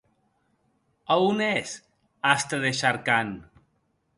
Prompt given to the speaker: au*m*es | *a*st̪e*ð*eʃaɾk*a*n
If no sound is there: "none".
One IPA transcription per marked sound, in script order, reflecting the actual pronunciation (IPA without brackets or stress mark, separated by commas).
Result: n, a, ð, a